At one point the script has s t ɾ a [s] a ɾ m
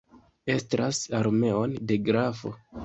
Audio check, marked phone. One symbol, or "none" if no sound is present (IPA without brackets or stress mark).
s